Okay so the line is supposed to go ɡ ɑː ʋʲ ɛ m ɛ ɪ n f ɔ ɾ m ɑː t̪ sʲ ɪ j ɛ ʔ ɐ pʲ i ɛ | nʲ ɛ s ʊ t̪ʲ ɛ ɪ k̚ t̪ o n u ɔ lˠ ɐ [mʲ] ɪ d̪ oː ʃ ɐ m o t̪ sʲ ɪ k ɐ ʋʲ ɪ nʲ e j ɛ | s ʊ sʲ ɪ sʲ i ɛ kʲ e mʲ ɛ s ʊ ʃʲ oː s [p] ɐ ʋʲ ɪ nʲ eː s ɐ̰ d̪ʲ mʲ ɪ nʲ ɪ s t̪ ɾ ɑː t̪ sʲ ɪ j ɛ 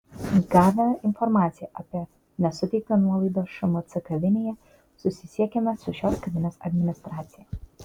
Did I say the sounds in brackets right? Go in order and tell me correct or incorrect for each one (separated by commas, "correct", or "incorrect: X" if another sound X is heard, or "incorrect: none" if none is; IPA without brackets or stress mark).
incorrect: none, incorrect: k